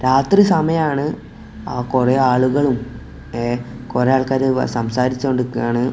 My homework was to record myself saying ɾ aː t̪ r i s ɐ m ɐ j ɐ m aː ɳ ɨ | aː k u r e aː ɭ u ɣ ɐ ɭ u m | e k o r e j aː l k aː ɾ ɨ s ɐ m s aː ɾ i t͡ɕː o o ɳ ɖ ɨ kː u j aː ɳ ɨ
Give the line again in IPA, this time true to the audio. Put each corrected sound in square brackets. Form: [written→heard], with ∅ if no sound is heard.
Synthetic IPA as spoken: ɾ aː t̪ r i s ɐ m ɐ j ɐ m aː ɳ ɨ | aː k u r e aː ɭ u ɣ ɐ ɭ u m | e k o r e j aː [l→ɭ] k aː ɾ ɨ s ɐ m s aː ɾ i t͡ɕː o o ɳ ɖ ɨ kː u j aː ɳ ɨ